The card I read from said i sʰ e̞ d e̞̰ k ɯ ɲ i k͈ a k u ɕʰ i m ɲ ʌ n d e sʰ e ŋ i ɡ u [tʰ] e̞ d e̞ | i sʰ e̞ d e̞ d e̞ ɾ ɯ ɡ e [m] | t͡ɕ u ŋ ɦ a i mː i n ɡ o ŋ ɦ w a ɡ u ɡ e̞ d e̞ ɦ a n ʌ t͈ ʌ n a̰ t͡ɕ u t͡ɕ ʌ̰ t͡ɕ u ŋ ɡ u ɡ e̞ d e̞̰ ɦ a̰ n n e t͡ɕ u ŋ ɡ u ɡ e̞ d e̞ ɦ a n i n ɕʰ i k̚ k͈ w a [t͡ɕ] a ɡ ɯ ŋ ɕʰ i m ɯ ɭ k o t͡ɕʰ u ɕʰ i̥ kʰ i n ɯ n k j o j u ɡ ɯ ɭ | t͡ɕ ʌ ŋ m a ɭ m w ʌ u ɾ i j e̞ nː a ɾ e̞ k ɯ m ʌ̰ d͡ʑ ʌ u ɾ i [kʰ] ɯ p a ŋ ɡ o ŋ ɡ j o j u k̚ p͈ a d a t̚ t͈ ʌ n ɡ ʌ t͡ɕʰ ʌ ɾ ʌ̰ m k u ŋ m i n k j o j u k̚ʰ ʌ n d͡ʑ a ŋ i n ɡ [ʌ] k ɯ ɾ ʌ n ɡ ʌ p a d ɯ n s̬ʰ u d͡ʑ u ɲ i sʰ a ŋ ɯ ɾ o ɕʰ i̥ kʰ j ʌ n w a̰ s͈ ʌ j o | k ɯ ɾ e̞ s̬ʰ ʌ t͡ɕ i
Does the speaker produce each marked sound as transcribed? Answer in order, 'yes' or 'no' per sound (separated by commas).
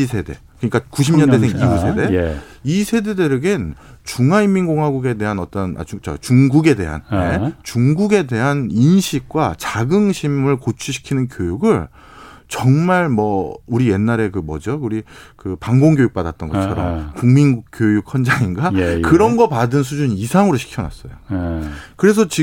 no, no, yes, no, no